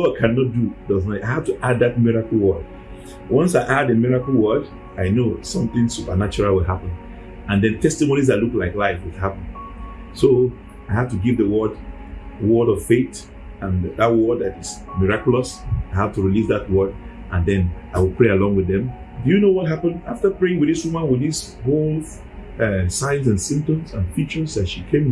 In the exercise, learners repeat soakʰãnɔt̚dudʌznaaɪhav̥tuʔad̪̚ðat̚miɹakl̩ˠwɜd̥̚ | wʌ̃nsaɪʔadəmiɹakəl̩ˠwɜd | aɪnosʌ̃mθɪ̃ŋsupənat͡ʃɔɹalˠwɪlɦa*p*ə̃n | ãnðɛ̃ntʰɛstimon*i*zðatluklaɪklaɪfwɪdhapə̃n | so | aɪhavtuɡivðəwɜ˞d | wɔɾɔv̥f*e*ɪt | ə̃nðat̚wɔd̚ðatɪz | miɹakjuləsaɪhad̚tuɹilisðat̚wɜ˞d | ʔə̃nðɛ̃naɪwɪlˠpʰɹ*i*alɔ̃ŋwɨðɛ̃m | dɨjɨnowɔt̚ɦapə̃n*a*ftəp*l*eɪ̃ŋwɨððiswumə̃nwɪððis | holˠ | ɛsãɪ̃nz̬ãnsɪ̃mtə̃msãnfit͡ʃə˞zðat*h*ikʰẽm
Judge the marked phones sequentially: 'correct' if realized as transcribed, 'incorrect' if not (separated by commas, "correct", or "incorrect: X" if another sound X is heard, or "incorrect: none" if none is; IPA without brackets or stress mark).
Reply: correct, correct, correct, incorrect: e, correct, incorrect: ɹ, incorrect: ʃ